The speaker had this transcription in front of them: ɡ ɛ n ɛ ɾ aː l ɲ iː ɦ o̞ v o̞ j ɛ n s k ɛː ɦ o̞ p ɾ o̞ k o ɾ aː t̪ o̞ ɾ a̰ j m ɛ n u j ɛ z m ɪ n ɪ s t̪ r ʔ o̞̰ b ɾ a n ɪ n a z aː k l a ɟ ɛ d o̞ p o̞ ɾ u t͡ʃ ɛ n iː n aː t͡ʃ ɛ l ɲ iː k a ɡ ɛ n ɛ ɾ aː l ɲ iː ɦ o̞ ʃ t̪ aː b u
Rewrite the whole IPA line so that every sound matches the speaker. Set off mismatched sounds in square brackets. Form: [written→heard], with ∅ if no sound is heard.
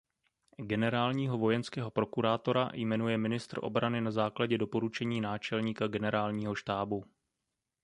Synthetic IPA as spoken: ɡ ɛ n ɛ ɾ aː l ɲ iː ɦ o̞ v o̞ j ɛ n s k ɛː ɦ o̞ p ɾ o̞ k [o→u] ɾ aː t̪ o̞ ɾ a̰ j m ɛ n u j ɛ [z→∅] m ɪ n ɪ s t̪ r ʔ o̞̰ b ɾ a n ɪ n a z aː k l a ɟ ɛ d o̞ p o̞ ɾ u t͡ʃ ɛ [n→ɲ] iː n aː t͡ʃ ɛ l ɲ iː k a ɡ ɛ n ɛ ɾ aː l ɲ iː ɦ o̞ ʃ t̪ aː b u

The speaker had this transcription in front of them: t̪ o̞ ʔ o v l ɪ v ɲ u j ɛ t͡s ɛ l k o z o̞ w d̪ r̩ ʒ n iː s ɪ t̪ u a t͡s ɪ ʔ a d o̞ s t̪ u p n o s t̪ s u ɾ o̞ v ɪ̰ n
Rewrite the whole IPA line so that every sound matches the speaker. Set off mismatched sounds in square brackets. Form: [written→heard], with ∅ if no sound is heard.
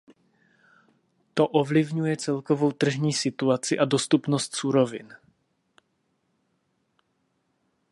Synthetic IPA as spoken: t̪ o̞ ʔ o v l ɪ v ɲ u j ɛ t͡s ɛ l k o [z→v] o̞ w [d̪→t̪] r̩ ʒ [n→ɲ] iː s ɪ t̪ u a t͡s ɪ ʔ a d o̞ s t̪ u p n o s t̪ s u ɾ o̞ v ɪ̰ n

